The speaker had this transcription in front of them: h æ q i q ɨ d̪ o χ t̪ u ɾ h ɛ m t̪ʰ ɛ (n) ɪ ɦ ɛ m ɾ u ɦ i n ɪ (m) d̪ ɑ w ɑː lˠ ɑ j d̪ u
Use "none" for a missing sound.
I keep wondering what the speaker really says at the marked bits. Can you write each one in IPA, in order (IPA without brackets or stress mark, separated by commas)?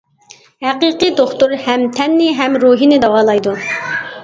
nː, none